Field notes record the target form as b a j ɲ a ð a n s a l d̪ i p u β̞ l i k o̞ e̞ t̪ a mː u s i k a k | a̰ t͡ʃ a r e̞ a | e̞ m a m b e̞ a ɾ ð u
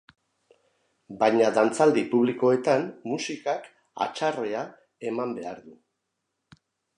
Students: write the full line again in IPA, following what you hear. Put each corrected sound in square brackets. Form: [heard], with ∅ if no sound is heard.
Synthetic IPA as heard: b a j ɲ a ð a n [t͡s] a l d̪ i p u β̞ l i k o̞ e̞ t̪ a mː u s i k a k | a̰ t͡ʃ a r e̞ a | e̞ m a m b e̞ a ɾ ð u